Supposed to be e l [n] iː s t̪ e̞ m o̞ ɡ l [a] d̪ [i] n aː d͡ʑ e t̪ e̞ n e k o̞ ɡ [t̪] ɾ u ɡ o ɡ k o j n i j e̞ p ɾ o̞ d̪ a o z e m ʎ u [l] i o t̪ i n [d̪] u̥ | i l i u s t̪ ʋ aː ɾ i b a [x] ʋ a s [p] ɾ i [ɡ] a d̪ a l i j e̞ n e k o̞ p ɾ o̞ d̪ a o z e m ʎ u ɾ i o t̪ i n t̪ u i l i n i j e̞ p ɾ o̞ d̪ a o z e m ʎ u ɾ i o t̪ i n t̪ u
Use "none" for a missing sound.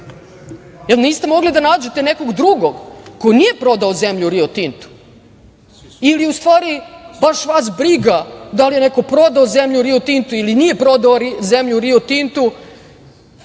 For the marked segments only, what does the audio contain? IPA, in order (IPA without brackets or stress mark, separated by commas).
n, i, a, d̪, ɾ, t̪, ʃ, b, ɡ